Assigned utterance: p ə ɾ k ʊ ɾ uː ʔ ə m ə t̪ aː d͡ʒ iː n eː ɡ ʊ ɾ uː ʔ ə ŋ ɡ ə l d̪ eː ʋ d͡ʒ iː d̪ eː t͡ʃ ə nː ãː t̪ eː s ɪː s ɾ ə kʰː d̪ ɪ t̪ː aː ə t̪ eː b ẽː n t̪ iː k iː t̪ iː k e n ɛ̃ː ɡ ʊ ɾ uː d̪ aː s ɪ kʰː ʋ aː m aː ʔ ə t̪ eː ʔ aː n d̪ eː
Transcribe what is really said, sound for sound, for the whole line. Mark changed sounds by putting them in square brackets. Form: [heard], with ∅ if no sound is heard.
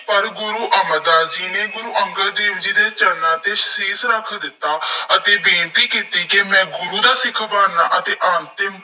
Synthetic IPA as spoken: p ə ɾ [ɡ] ʊ ɾ uː ʔ ə m ə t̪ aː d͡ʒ iː n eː ɡ ʊ ɾ uː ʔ ə ŋ ɡ ə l d̪ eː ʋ d͡ʒ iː d̪ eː t͡ʃ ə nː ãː t̪ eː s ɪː s ɾ ə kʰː d̪ ɪ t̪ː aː ə t̪ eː b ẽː n t̪ iː k iː t̪ iː k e [m] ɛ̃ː ɡ ʊ ɾ uː d̪ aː s ɪ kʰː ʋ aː [n] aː ʔ ə t̪ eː ʔ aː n [t̪] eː